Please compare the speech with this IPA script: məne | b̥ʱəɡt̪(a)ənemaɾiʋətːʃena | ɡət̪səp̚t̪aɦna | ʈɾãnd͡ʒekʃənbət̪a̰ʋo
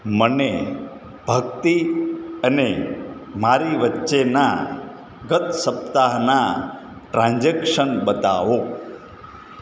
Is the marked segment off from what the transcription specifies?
yes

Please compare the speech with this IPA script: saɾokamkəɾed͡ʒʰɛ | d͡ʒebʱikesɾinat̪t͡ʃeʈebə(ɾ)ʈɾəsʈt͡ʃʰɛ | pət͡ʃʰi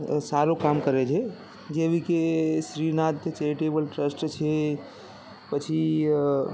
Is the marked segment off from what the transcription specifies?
yes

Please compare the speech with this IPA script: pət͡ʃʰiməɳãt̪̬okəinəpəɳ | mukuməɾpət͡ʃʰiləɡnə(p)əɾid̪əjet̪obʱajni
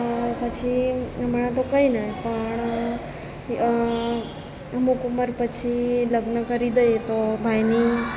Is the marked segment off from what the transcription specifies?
yes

